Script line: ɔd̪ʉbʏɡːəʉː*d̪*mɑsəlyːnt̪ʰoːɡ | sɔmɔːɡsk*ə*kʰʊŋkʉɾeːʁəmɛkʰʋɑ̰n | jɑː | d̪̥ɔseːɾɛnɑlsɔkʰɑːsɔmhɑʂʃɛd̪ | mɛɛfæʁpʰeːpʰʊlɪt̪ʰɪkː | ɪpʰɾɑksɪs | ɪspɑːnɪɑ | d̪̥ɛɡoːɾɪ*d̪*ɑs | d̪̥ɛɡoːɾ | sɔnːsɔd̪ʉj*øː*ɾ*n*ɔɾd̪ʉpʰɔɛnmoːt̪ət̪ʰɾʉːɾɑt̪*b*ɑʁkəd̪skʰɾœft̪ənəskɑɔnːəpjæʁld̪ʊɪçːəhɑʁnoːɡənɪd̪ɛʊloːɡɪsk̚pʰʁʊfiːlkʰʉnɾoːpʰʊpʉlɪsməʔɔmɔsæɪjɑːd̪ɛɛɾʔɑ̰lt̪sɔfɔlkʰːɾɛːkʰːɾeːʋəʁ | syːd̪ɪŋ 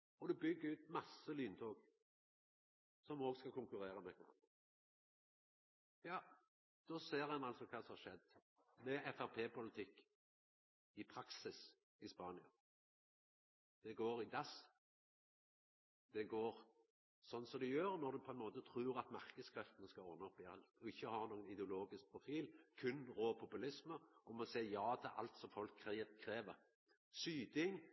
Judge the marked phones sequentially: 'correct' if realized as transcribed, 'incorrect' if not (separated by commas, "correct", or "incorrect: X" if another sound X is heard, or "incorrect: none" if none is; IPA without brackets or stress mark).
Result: incorrect: t̪, incorrect: ɑ, correct, correct, correct, incorrect: m